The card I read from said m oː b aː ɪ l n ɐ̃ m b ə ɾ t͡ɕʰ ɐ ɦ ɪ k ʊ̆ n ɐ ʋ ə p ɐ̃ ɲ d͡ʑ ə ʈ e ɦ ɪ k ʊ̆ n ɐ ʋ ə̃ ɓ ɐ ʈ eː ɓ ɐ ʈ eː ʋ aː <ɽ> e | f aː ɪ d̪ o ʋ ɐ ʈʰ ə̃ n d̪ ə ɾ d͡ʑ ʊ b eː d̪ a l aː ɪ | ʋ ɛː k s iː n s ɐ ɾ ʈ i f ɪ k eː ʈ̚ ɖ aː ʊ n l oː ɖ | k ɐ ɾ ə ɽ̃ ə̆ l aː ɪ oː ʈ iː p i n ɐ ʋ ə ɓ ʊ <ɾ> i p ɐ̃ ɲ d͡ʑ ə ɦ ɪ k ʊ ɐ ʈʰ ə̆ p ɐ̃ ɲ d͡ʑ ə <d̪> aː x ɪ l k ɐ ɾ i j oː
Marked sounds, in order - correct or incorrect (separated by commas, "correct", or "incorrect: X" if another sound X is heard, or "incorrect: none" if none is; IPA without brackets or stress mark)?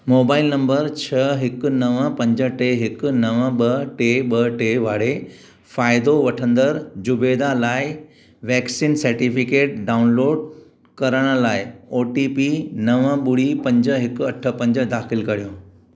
correct, incorrect: ɽ, correct